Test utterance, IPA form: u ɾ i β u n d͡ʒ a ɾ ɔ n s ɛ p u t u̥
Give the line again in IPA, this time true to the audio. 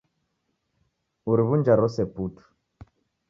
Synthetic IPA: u ɾ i β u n d͡ʒ a ɾ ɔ s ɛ p u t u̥